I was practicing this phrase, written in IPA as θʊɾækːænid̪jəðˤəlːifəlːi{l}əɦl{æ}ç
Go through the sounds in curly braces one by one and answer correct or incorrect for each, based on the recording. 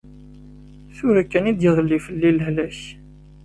correct, correct

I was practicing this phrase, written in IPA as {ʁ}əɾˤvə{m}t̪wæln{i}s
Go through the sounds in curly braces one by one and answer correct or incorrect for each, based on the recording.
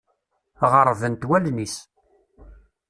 correct, incorrect: n, correct

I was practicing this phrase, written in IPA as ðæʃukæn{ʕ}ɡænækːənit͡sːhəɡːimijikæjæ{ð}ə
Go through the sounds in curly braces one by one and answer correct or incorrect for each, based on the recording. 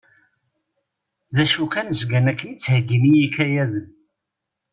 incorrect: z, correct

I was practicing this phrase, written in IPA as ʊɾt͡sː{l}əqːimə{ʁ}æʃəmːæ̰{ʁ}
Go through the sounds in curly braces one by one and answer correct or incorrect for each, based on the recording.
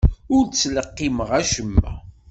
correct, correct, incorrect: none

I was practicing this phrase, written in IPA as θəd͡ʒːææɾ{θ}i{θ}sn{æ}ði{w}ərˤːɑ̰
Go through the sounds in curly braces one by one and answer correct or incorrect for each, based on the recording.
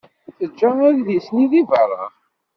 incorrect: ð, incorrect: none, incorrect: i, incorrect: v

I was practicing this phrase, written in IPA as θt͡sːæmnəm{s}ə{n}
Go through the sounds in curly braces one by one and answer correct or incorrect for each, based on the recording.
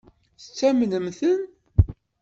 incorrect: θ, correct

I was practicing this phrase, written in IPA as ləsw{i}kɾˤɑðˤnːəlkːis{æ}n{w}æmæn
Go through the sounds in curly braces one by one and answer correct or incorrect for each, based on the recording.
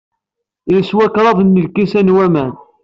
incorrect: æ, correct, correct

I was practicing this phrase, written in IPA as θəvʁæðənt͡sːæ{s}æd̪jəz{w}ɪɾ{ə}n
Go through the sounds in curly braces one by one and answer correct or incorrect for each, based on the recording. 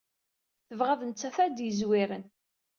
incorrect: θ, correct, correct

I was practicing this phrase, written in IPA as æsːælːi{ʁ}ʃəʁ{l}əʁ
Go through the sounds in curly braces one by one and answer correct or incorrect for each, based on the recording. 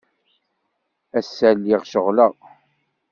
correct, correct

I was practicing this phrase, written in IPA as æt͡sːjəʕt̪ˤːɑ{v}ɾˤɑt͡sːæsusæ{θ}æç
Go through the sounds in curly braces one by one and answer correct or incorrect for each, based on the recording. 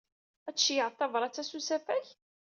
correct, incorrect: f

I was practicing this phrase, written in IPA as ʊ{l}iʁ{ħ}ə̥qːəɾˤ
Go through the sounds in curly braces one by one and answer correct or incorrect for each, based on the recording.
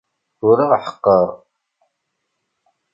incorrect: ɾ, correct

